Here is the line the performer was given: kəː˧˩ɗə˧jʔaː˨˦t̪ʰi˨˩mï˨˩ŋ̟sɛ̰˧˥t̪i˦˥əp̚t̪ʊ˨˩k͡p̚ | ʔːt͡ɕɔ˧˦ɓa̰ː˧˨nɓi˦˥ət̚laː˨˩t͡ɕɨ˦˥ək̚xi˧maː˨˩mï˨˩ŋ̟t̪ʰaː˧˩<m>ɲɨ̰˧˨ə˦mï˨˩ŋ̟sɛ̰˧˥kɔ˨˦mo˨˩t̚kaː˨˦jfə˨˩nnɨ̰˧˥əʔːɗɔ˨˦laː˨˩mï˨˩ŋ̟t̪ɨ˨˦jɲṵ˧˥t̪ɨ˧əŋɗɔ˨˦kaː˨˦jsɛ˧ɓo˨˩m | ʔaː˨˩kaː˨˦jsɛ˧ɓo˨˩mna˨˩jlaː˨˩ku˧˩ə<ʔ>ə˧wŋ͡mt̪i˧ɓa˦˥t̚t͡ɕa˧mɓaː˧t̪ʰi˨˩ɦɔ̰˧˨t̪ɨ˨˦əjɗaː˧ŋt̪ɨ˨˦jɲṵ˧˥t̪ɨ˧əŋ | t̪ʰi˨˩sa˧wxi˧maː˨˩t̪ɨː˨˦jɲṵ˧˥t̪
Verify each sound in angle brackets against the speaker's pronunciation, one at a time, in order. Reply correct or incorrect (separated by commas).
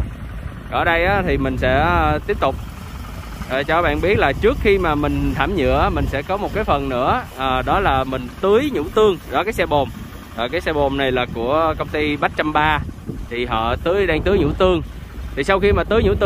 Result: correct, incorrect